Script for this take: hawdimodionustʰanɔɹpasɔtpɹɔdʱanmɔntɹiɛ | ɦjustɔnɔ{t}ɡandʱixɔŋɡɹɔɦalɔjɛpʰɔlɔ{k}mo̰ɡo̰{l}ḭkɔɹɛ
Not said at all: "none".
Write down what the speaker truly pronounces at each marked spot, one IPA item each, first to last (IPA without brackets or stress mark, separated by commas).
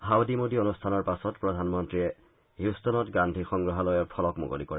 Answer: t, k, l